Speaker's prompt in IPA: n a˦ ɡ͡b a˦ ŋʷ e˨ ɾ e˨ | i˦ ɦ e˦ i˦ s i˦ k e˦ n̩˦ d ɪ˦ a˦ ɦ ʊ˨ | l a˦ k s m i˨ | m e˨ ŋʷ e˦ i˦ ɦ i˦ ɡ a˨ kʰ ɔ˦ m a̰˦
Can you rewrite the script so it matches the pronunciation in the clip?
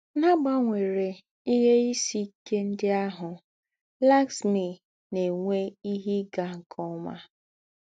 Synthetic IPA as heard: n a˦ ɡ͡b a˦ ŋʷ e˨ ɾ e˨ | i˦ ɦ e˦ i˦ s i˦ k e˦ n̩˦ d ɪ˦ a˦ ɦ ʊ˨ | l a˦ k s m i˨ | n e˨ ŋʷ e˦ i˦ ɦ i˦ ɡ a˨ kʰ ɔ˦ m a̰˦

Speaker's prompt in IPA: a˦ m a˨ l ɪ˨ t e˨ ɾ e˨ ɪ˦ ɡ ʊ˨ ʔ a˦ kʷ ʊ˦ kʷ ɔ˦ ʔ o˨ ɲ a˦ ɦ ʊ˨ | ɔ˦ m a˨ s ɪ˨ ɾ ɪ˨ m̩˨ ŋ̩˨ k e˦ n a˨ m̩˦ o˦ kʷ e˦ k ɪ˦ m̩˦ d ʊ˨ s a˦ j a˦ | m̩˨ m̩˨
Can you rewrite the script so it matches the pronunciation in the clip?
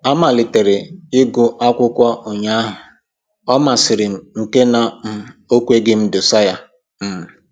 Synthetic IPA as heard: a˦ m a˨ l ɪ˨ t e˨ ɾ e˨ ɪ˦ ɡ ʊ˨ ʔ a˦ kʷ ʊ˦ kʷ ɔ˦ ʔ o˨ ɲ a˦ ɦ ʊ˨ | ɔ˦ m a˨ s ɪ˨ ɾ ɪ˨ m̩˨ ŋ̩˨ k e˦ n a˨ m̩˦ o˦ kʷ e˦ ɡ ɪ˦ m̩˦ d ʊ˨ s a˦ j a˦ | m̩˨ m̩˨

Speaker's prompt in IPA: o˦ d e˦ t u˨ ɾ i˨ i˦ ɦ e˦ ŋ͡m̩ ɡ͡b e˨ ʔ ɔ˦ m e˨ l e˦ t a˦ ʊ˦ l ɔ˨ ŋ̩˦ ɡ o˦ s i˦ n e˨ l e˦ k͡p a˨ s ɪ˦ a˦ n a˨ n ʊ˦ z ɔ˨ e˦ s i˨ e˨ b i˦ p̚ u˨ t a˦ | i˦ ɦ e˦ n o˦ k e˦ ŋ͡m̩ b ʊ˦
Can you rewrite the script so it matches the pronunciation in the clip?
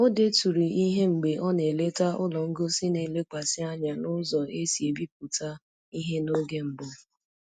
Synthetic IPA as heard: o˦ d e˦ t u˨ ɾ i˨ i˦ ɦ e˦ ŋ͡m̩ ɡ͡b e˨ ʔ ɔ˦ n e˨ l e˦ t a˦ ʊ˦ l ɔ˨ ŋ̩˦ ɡ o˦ s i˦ n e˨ l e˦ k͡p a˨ s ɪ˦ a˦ ɲ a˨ n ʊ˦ z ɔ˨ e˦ s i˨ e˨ b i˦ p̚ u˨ t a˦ | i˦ ɦ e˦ n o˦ ɡ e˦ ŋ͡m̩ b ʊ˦

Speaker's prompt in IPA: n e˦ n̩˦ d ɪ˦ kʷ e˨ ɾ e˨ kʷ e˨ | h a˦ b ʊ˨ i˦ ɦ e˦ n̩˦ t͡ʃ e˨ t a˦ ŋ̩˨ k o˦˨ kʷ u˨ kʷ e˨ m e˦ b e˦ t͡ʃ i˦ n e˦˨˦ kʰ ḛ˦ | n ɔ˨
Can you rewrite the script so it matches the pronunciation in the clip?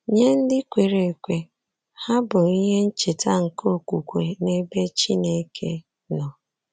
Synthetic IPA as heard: ɲ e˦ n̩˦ d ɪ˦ kʷ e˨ ɾ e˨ kʷ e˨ | h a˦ b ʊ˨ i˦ ɦ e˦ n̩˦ t͡ʃ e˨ t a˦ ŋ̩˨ k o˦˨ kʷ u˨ kʷ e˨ n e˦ b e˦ t͡ʃ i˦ n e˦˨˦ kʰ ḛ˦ | n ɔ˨

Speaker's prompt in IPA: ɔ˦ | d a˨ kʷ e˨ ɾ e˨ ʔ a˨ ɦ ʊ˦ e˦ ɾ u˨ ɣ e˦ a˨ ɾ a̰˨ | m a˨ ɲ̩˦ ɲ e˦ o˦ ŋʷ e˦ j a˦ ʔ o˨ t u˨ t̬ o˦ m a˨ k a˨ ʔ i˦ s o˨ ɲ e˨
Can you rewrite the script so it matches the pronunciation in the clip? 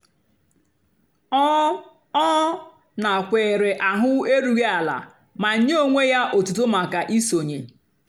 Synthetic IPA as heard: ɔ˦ | n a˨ kʷ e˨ ɾ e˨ ʔ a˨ ɦ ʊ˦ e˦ ɾ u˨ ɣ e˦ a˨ l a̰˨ | m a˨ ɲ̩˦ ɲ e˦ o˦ ŋʷ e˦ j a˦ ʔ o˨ t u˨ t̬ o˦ m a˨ k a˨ ʔ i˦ s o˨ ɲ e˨

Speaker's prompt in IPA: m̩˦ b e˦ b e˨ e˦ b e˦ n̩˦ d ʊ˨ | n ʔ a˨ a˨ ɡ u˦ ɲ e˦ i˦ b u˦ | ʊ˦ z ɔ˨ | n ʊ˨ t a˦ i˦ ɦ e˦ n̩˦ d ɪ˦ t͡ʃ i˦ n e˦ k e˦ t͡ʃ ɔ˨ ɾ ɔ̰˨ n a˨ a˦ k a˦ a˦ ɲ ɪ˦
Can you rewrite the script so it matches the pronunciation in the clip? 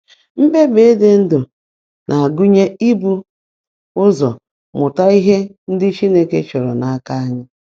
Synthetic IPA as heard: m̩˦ b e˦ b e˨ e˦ d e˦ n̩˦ d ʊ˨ | n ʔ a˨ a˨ ɡ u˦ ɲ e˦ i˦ b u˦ | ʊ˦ z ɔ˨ | m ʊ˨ t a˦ i˦ ɦ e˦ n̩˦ d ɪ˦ t͡ʃ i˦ n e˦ k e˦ t͡ʃ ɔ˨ ɾ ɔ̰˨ n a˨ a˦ k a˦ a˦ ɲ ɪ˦

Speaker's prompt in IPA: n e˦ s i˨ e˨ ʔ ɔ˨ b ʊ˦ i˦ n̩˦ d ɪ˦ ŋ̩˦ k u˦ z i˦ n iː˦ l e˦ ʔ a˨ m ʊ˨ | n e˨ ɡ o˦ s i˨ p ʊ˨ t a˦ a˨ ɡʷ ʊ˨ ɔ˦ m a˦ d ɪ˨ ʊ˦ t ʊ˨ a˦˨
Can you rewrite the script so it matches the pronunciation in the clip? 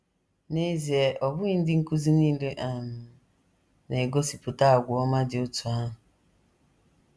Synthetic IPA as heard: n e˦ z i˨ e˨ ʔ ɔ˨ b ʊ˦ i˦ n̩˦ d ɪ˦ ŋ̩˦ k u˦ z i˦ n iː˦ l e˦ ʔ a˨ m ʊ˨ | n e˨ ɡ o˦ s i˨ p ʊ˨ t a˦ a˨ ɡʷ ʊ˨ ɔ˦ m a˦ d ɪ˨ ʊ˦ t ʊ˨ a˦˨

